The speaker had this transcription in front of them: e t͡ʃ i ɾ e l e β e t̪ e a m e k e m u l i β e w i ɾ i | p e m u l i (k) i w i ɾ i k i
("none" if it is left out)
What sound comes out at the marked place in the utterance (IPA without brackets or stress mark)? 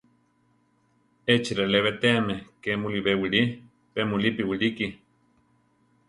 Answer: p